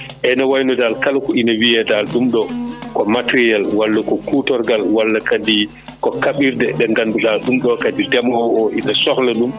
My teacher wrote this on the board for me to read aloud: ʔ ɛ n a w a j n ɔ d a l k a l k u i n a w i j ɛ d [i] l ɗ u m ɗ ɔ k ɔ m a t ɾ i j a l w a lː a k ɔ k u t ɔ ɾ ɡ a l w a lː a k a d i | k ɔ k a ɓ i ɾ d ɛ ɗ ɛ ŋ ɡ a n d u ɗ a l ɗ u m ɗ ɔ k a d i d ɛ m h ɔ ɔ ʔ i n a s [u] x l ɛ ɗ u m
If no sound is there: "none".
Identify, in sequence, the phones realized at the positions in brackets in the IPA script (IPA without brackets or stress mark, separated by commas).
a, ɔ